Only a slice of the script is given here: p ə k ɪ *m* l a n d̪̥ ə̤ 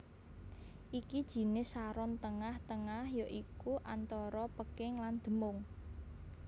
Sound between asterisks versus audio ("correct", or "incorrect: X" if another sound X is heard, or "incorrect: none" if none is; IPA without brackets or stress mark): incorrect: ŋ